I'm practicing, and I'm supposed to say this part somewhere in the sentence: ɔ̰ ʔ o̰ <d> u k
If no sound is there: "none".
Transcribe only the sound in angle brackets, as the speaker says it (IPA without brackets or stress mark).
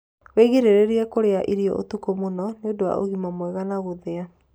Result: t